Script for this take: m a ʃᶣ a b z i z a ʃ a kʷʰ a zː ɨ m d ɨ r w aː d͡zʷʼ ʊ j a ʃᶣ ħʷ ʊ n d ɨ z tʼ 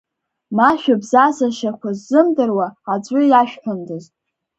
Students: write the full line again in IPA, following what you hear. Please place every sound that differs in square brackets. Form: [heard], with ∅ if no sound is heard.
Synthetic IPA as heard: m a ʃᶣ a b z [a] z a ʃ a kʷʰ a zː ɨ m d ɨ r w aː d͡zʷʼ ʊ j a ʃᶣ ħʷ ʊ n d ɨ z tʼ